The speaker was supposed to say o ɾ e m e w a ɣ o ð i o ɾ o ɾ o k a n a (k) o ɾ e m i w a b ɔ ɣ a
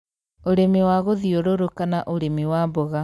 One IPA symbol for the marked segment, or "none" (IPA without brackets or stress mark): ʔ